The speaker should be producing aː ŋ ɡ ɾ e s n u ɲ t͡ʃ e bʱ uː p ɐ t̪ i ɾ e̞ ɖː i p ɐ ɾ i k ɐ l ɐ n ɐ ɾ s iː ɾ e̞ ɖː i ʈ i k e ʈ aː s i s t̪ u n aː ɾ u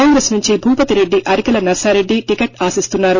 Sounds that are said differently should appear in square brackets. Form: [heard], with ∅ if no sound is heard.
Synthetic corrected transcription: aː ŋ ɡ ɾ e s n u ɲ t͡ʃ [i] bʱ uː p ɐ t̪ i ɾ e̞ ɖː i [ʔ] ɐ ɾ i k ɐ l ɐ n ɐ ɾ s [aː] ɾ e̞ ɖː i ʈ i k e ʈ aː s i s t̪ u [nː] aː ɾ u